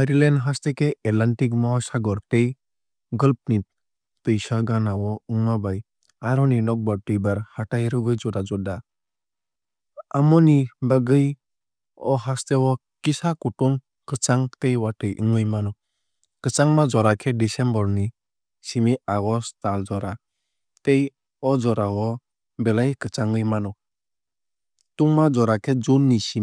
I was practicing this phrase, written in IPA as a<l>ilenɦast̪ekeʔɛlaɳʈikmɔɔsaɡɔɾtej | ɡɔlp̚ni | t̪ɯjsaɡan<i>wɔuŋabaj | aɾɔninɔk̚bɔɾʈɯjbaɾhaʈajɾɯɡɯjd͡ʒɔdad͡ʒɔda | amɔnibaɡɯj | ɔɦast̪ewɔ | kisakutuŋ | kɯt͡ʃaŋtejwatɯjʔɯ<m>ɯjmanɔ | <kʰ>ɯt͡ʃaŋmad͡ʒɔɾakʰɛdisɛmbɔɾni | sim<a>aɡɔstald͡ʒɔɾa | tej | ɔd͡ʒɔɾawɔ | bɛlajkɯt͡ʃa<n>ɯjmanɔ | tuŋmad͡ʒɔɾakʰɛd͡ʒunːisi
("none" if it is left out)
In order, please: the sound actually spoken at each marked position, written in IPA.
ɾ, a, ŋ, k, i, ŋ

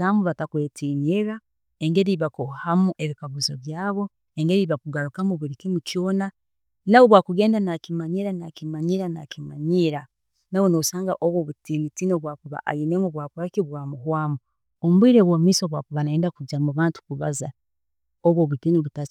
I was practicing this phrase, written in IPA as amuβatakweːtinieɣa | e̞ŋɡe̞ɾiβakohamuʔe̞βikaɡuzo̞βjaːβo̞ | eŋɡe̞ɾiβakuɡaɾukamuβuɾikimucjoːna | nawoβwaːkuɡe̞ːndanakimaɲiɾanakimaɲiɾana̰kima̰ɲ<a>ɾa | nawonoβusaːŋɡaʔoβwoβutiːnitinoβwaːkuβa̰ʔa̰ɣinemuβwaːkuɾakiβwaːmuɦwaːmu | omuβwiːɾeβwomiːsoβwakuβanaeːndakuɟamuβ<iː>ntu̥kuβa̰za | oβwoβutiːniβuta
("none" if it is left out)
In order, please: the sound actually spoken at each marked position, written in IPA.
i, aː

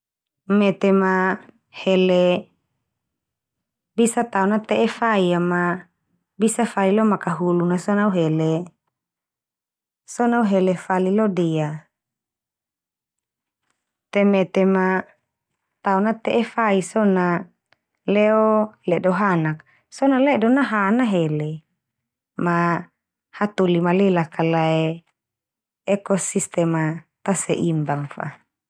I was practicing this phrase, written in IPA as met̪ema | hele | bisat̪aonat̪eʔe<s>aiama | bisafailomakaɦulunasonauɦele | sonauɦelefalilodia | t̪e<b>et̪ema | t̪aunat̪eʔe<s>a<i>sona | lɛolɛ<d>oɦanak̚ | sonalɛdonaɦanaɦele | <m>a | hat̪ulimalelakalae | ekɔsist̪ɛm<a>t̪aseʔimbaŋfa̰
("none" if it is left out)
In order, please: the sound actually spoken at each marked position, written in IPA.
f, m, f, i, d, m, a

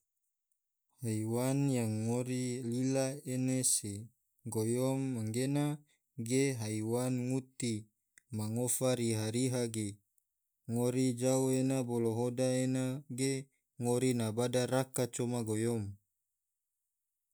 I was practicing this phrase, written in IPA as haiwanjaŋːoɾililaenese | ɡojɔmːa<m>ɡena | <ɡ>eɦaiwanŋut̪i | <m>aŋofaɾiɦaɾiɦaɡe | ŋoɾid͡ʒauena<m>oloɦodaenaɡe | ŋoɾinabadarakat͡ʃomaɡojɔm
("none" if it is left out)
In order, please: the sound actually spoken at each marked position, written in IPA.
ŋ, ɡ, m, b

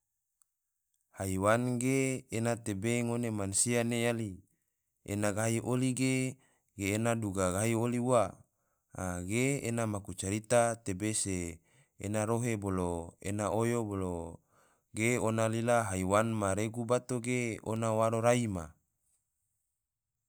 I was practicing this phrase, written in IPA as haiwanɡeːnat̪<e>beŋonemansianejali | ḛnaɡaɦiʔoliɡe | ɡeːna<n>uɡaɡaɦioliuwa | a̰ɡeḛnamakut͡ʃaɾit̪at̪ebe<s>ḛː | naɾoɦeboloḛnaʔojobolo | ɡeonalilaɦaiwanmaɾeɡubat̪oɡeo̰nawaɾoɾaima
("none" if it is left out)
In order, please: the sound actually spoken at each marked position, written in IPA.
e, d, s

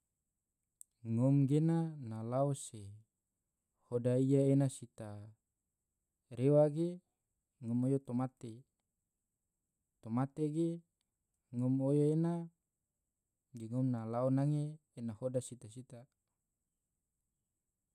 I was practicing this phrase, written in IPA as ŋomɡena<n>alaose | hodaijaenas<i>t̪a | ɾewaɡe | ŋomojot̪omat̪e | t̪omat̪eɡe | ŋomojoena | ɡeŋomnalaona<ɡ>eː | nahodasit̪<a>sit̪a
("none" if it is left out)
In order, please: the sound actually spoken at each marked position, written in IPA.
n, i, ŋ, a

